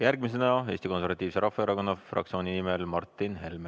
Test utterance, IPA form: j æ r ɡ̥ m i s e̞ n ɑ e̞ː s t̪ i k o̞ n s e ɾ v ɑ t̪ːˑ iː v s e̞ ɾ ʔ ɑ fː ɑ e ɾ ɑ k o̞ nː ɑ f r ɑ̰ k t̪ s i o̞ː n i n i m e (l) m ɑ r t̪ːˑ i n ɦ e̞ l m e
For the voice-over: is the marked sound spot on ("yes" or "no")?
yes